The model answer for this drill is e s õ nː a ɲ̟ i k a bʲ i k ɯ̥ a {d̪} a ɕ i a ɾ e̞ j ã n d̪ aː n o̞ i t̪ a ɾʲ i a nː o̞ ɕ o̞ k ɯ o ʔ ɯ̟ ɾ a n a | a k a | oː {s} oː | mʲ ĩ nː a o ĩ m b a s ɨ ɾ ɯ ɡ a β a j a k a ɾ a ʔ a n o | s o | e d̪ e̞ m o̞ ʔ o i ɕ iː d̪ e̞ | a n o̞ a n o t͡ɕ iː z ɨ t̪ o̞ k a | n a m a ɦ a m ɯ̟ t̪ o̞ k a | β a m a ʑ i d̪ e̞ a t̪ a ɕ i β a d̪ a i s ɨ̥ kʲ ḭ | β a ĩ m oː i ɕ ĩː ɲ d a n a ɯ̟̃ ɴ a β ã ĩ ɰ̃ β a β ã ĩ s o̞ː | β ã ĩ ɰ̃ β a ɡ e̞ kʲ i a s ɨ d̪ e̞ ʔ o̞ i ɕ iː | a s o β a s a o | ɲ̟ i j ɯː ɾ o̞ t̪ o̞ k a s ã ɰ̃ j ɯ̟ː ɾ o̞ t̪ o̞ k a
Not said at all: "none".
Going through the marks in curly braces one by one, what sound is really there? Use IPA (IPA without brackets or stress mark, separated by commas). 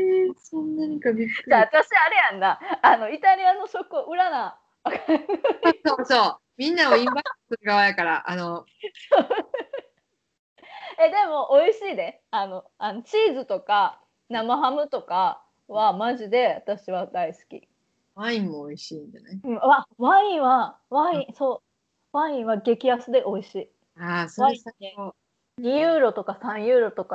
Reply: t̪, s